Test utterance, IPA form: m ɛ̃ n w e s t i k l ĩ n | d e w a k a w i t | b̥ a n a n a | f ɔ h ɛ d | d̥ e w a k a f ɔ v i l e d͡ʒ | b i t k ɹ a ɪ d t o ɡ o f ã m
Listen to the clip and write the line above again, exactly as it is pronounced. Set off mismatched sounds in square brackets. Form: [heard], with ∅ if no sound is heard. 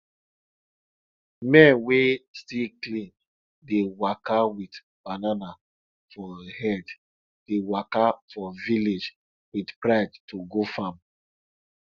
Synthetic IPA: m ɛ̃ n w e s t i k l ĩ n | d e w a k a w i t | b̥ a n a n a | f ɔ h ɛ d | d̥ e w a k a f ɔ v i l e d͡ʒ | [w] i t [p] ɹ a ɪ d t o ɡ o f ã m